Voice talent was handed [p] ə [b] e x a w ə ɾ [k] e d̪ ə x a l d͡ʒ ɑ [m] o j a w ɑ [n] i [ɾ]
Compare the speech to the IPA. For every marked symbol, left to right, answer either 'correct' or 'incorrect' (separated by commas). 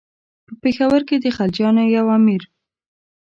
correct, incorrect, correct, incorrect, incorrect, correct